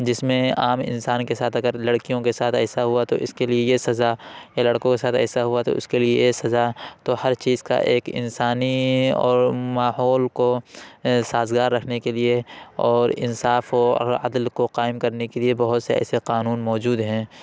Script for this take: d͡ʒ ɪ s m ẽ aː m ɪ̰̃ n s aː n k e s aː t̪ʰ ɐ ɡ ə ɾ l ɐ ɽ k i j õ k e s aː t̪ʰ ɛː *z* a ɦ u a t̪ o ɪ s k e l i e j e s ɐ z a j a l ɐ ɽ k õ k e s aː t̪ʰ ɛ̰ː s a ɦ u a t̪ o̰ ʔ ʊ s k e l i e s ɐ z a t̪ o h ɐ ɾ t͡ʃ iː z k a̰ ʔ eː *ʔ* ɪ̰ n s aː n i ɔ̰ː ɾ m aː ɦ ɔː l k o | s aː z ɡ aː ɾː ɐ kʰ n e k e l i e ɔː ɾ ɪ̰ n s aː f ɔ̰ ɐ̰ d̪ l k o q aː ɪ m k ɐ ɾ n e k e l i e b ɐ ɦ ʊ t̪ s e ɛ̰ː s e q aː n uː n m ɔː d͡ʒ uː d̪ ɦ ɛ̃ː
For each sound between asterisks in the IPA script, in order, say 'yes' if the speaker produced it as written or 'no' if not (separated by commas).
no, no